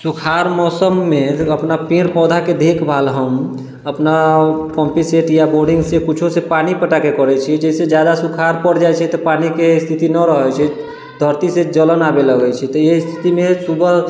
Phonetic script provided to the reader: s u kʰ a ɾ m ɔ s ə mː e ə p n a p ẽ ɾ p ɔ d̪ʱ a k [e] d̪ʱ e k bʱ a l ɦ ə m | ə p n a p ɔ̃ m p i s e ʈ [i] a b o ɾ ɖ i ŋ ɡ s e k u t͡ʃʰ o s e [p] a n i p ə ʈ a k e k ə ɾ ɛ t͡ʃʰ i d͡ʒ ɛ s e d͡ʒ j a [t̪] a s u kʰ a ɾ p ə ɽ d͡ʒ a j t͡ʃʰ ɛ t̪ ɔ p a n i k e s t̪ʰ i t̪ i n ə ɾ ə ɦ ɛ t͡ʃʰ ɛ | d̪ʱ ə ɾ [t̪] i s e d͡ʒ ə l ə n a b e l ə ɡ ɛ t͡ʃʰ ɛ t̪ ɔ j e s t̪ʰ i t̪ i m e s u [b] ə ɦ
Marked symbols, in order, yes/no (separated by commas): yes, no, yes, no, yes, yes